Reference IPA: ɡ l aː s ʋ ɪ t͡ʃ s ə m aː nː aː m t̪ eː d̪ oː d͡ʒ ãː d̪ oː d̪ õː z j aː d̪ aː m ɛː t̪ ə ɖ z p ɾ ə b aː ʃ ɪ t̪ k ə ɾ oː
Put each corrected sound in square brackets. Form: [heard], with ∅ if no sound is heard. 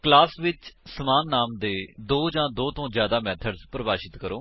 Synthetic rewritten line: [k] l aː s ʋ ɪ t͡ʃ s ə m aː nː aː m [d̪] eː d̪ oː d͡ʒ ãː d̪ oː [t̪] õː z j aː d̪ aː m ɛː [t̪ʰ] ə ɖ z p ɾ ə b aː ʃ ɪ t̪ k ə ɾ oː